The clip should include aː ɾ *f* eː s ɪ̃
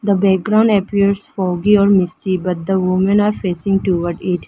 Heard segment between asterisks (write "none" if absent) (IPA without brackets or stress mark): f